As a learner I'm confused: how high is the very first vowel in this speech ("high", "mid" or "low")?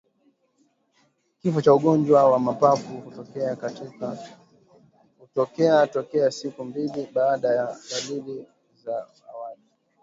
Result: high